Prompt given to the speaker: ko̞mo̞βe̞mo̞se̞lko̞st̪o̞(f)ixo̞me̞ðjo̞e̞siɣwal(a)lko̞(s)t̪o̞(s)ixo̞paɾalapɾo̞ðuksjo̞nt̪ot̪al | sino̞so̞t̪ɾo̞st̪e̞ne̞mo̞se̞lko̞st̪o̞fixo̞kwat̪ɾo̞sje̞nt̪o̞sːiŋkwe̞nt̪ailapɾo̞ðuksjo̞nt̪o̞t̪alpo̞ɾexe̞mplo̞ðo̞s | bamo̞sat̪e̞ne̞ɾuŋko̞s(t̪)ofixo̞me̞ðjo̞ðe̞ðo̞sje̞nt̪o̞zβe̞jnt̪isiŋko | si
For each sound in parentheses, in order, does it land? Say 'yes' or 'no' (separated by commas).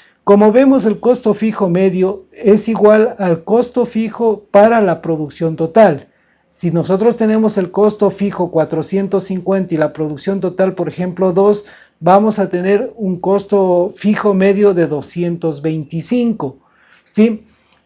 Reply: yes, yes, yes, no, yes